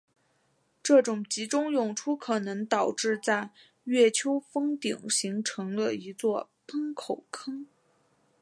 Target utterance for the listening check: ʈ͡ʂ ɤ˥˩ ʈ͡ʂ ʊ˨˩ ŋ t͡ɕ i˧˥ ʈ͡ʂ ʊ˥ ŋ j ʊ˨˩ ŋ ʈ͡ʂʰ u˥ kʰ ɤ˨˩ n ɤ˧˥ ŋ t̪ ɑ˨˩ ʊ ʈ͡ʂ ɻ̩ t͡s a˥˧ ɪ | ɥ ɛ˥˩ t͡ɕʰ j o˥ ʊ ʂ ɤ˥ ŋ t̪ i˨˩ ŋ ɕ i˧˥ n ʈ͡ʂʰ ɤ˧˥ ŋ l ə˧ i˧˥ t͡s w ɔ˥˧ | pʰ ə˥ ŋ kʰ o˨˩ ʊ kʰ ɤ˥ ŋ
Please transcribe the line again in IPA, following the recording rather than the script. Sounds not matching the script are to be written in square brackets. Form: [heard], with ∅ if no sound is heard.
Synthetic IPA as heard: ʈ͡ʂ ɤ˥˩ ʈ͡ʂ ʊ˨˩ ŋ t͡ɕ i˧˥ ʈ͡ʂ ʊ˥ ŋ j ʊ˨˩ ŋ ʈ͡ʂʰ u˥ kʰ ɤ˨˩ n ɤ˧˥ ŋ t̪ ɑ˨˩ ʊ ʈ͡ʂ ɻ̩ t͡s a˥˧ ɪ | ɥ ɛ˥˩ t͡ɕʰ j o˥ ʊ [f] ɤ˥ ŋ t̪ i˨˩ ŋ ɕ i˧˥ [ŋ] ʈ͡ʂʰ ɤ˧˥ ŋ l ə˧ i˧˥ t͡s w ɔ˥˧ | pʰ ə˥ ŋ kʰ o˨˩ ʊ kʰ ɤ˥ ŋ